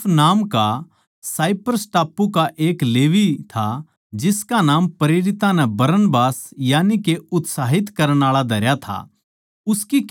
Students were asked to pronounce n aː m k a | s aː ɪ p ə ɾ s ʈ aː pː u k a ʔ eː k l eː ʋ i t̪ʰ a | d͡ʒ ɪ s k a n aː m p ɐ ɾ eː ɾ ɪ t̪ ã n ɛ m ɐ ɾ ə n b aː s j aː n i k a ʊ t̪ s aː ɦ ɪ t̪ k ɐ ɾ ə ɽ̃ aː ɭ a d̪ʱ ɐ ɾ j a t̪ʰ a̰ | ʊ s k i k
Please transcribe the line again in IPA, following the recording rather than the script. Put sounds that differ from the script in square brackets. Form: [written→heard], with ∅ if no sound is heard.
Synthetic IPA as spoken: n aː m k a | s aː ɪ p ə ɾ s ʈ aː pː u k a ʔ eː k l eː ʋ i t̪ʰ a | d͡ʒ ɪ s k a n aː m p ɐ ɾ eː ɾ ɪ t̪ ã n ɛ [m→b] ɐ ɾ ə n b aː s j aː n i k [a→e] ʊ t̪ s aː ɦ ɪ t̪ k ɐ ɾ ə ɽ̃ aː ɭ a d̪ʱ ɐ ɾ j a t̪ʰ a̰ | ʊ s k i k